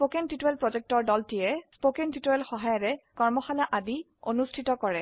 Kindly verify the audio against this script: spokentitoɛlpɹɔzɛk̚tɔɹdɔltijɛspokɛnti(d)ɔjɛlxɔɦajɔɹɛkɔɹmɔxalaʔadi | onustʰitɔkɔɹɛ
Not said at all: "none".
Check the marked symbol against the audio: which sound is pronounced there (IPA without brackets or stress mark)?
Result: t